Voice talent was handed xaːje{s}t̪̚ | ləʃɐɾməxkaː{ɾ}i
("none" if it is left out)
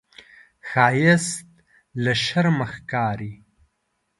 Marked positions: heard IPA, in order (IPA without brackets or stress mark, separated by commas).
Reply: s, ɾ